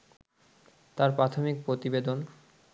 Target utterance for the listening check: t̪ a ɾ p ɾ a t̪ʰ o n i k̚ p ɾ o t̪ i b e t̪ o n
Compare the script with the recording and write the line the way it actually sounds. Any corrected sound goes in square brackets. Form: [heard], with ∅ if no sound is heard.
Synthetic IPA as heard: t̪ a ɾ p ɾ a t̪ʰ o [m] i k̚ p ɾ o t̪ i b e [d̪] o n